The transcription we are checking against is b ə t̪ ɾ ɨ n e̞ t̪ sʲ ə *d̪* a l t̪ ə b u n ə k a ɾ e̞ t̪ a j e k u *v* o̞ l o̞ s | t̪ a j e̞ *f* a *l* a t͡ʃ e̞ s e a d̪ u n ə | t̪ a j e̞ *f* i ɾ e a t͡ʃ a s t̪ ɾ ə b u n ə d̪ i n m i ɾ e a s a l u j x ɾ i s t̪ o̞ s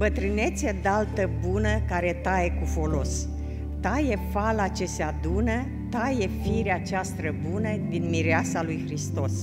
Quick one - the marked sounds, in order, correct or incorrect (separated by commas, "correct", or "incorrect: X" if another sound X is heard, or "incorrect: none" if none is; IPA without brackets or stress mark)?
correct, incorrect: f, correct, correct, correct